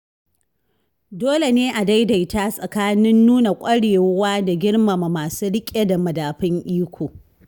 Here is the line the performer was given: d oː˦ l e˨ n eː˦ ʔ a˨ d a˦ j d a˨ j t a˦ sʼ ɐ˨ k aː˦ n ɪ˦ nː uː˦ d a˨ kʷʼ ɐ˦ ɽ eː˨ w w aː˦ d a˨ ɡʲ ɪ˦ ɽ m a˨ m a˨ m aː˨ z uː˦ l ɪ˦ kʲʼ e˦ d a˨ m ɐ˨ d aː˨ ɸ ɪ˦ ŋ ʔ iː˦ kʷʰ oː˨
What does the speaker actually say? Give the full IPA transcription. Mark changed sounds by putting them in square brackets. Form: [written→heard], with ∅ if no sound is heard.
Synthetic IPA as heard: d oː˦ l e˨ n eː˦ ʔ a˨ d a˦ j d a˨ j t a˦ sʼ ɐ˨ k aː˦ n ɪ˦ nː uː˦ [d→n] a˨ kʷʼ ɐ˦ ɽ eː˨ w w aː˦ d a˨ ɡʲ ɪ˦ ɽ m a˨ m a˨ m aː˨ [z→s] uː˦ [l→ɽ] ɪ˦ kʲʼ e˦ d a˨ m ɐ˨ d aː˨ ɸ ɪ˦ ŋ ʔ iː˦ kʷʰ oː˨